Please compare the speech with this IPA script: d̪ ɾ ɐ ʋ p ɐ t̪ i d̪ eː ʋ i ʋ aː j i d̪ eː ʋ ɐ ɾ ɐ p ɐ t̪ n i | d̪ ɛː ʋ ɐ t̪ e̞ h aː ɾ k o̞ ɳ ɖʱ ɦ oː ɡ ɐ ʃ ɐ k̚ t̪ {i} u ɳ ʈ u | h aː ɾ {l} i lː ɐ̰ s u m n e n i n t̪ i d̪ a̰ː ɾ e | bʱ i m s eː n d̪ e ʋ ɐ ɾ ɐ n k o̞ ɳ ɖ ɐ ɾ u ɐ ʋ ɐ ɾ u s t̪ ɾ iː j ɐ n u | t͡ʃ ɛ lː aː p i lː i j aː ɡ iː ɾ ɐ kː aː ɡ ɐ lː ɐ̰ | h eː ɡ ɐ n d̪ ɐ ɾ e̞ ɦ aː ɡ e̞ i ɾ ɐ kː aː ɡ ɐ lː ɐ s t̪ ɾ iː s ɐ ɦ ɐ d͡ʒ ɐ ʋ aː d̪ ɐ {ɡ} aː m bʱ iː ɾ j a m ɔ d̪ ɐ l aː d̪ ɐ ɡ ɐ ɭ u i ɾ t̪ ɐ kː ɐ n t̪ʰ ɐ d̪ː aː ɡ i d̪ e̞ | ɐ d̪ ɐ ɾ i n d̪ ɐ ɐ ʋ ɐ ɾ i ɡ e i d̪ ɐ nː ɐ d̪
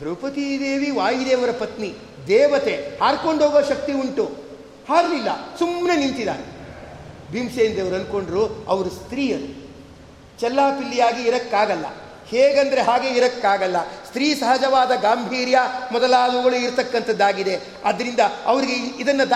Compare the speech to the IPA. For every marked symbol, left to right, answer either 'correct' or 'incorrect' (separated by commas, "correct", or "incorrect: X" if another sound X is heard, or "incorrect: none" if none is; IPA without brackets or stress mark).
correct, correct, correct